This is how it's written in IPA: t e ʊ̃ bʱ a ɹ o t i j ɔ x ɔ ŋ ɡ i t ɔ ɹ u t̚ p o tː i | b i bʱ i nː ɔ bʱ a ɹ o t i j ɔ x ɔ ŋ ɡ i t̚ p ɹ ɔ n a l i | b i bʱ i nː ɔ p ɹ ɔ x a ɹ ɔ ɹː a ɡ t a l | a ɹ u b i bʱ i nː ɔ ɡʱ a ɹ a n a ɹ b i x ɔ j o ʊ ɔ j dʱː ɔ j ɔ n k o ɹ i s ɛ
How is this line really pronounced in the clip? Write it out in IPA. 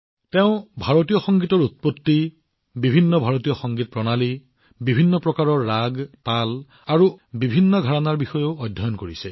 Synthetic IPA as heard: t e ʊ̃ bʱ a ɹ o t i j ɔ x ɔ ŋ ɡ i t ɔ ɹ u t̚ p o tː i | b i bʱ i nː ɔ bʱ a ɹ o t i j ɔ x ɔ ŋ ɡ i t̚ p ɹ ɔ n a l i | b i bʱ i nː ɔ p ɹ ɔ k a ɹ ɔ ɹː a ɡ t a l | a ɹ u b i bʱ i nː ɔ ɡʱ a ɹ a n a ɹ b i x ɔ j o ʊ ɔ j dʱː ɔ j ɔ n k o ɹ i s ɛ